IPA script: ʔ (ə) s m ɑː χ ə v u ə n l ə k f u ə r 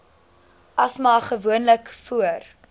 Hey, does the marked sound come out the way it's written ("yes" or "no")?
no